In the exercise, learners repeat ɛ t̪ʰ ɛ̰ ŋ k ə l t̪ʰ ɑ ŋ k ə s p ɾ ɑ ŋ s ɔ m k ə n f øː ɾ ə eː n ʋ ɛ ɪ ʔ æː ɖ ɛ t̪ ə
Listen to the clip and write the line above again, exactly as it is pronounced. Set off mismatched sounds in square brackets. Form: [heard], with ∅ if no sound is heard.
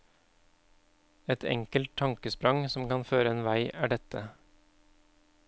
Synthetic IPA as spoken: ɛ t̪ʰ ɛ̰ ŋ k ə l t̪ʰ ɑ ŋ k ə s p ɾ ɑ ŋ s ɔ m k [ɑ] n f øː ɾ ə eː n ʋ [æ] ɪ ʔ æː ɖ ɛ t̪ ə